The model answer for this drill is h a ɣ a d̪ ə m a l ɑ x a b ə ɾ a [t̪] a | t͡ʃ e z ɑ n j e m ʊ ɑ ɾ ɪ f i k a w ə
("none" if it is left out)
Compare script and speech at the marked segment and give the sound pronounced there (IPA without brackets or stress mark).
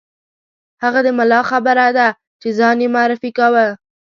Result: d̪